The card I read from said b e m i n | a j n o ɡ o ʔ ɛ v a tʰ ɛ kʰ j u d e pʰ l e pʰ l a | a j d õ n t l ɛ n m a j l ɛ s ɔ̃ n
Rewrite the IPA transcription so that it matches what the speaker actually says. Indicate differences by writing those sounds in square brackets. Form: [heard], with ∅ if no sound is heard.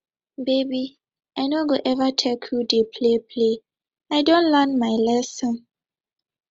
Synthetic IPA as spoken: b e [b] i [∅] | a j n o ɡ o ʔ ɛ v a tʰ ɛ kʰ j u d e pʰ l e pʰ l [e] | a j d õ n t l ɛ n m a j l ɛ s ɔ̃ n